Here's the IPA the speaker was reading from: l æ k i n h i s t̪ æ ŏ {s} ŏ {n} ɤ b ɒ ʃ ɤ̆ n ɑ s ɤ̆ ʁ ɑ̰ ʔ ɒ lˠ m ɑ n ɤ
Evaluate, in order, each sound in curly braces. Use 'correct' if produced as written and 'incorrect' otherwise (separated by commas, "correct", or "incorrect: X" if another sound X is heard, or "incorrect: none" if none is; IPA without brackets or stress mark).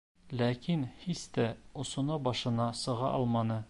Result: correct, correct